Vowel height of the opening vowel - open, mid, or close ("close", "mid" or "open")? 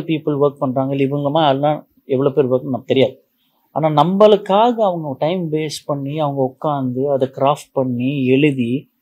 close